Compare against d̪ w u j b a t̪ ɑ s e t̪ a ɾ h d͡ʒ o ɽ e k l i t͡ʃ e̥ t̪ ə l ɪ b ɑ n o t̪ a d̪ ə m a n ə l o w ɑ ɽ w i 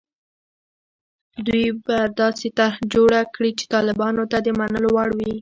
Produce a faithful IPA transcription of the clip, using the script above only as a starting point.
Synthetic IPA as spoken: d̪ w u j b a d̪ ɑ s e t̪ a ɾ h d͡ʒ o ɽ a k ɽ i t͡ʃ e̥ t̪ ɑ l ɪ b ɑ n o t̪ a d̪ ə m a n ə l o w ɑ ɽ w i